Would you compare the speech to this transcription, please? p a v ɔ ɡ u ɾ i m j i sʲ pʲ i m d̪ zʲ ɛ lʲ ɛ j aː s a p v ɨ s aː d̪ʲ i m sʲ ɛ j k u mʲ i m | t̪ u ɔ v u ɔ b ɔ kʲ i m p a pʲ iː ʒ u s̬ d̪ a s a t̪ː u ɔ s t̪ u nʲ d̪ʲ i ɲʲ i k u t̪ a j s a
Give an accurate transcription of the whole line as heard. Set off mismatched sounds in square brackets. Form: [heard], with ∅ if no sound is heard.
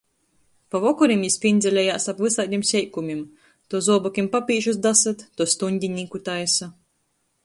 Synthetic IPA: p a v ɔ [k] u ɾ i m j i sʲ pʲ i [n] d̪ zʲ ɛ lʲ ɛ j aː s a p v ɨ s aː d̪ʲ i m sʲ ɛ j k u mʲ i m | t̪ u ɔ [z] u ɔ b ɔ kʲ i m p a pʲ iː ʒ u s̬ d̪ a s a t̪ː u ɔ s t̪ u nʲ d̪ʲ i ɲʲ i k u t̪ a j s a

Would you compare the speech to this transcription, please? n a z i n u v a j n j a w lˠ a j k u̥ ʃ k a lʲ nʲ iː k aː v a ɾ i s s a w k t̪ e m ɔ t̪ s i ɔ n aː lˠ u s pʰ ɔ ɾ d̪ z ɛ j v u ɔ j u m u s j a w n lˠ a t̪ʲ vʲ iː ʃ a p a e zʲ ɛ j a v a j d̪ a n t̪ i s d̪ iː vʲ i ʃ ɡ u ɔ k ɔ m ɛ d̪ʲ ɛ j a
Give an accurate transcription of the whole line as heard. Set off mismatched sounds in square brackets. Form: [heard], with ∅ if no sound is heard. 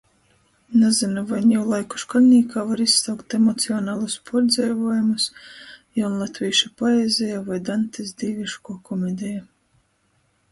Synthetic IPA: n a z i n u v a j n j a w lˠ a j k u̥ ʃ k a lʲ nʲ iː k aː v a ɾ i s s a w k t̪ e m ɔ t̪ s i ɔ n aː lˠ u s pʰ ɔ ɾ d̪ z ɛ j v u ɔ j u m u s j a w n lˠ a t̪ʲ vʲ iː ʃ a p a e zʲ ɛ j a v a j d̪ a n t̪ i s d̪ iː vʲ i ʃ [k] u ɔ k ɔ m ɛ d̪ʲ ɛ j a

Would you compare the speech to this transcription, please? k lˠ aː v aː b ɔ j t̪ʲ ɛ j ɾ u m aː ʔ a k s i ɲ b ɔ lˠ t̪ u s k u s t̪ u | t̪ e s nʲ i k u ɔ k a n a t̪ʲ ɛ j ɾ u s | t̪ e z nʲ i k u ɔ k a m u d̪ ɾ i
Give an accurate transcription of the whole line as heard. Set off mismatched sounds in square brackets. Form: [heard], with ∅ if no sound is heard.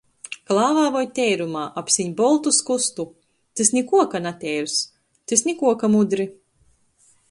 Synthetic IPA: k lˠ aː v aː [v] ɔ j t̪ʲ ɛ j ɾ u m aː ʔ a [p] s i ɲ b ɔ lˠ t̪ u s k u s t̪ u | t̪ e s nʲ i k u ɔ k a n a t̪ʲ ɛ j ɾ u s | t̪ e [s] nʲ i k u ɔ k a m u d̪ ɾ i

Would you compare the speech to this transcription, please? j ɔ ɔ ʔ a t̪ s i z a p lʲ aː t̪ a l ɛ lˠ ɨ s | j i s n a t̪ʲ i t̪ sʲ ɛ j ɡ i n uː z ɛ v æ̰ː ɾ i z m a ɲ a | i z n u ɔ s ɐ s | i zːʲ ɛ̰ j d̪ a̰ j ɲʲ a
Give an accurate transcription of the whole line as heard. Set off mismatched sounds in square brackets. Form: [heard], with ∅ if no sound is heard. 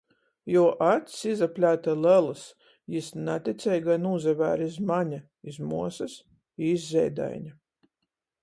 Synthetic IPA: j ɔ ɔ ʔ a t̪ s i z a p lʲ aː t̪ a l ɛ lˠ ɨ s | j i s n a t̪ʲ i t̪ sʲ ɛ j ɡ [a] n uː z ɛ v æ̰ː ɾ i z m a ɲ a | i z [m] u ɔ s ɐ s | i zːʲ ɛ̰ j d̪ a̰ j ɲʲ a

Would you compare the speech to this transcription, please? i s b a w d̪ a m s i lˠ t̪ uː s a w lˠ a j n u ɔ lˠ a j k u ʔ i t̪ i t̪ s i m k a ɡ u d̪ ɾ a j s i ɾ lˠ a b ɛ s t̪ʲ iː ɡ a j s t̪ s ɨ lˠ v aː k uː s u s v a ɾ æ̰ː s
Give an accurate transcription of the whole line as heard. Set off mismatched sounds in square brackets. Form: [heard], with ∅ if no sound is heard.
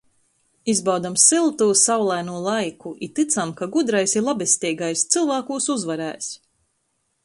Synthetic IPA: i [z] b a w d̪ a m s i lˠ t̪ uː s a w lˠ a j n u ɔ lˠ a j k u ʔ i t̪ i t̪ s [a] m k a ɡ u d̪ ɾ a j s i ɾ lˠ a b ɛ s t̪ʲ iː ɡ a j s t̪ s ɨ lˠ v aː k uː s u [z] v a ɾ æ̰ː s

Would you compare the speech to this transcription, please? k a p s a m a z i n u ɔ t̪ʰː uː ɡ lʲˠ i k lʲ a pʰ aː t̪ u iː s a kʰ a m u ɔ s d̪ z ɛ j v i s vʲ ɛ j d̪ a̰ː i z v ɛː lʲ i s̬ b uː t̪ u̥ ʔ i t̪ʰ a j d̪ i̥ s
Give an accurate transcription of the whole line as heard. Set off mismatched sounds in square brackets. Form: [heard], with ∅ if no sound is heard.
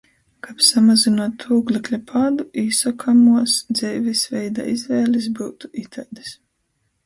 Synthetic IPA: k a p s a m a z i n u ɔ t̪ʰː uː ɡ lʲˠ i k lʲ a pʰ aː [d̪] u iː s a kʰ a m u ɔ s d̪ z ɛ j v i s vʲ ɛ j d̪ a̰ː i z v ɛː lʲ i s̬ b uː t̪ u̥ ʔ i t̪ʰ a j d̪ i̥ s

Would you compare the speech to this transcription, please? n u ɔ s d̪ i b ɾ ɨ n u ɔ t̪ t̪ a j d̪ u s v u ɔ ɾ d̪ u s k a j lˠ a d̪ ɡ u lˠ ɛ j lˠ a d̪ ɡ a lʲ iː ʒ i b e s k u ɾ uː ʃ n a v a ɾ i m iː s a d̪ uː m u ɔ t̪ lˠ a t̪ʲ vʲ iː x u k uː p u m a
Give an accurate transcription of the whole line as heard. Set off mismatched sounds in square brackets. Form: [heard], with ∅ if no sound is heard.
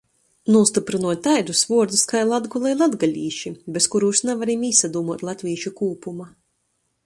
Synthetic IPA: n u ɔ s [t̪] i [p] ɾ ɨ n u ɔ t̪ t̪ a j d̪ u s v u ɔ ɾ d̪ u s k a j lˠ a d̪ ɡ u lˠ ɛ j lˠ a d̪ ɡ a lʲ iː [ʃ] i b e s k u ɾ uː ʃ n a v a ɾ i m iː s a d̪ uː m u ɔ t̪ lˠ a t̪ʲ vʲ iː [ʃ] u k uː p u m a

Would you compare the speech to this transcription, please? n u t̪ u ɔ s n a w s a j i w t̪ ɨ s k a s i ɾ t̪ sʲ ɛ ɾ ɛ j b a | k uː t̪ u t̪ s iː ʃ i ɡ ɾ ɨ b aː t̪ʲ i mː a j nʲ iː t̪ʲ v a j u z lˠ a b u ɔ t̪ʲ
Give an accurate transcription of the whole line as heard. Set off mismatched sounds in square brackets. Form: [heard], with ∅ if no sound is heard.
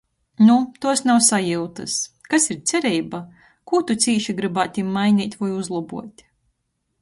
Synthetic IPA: n u t̪ u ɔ s n a w s a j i w t̪ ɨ s k a s i ɾ t̪ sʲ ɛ ɾ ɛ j b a | k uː t̪ u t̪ s iː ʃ i ɡ ɾ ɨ b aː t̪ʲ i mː a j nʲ iː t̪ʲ v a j u z lˠ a b u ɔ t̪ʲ

